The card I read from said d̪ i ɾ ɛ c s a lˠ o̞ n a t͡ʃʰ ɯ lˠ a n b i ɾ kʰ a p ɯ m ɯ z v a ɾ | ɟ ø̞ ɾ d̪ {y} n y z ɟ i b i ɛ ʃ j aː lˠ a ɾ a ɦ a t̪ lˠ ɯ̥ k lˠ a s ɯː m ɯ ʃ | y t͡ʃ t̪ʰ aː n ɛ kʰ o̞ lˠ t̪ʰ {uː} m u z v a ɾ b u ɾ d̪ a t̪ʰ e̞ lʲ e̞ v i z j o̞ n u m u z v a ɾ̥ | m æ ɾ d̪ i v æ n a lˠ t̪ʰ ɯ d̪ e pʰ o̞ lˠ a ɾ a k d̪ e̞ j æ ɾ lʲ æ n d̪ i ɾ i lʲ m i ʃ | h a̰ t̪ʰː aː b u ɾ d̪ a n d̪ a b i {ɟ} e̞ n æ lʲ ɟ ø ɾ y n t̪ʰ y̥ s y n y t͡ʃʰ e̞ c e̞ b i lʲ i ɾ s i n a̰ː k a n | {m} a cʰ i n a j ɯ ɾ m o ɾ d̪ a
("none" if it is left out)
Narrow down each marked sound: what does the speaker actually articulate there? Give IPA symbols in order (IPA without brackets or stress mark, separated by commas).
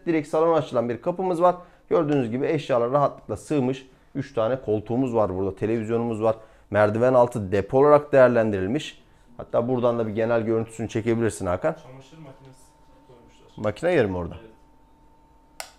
yː, uː, ɟ, m